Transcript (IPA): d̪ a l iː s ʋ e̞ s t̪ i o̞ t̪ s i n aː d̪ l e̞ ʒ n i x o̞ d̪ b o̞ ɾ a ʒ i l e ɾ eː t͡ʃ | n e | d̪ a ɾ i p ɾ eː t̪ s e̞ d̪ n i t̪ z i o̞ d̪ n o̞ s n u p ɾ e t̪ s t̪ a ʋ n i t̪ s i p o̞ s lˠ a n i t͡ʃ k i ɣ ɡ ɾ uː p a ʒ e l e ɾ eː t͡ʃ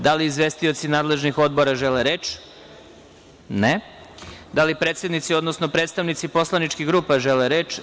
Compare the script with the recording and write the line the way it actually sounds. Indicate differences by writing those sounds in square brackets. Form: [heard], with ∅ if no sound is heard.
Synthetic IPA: d̪ a l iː [z] ʋ e̞ s t̪ i o̞ t̪ s i n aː d̪ l e̞ ʒ n i x o̞ d̪ b o̞ ɾ a ʒ [e] l e ɾ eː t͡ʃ | n e | d̪ a [l] i p ɾ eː t̪ s e̞ d̪ n i t̪ [s] i o̞ d̪ n o̞ s n [o] p ɾ e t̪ s t̪ a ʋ n i t̪ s i p o̞ s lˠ a n i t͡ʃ k i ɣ ɡ ɾ uː p a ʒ e l e ɾ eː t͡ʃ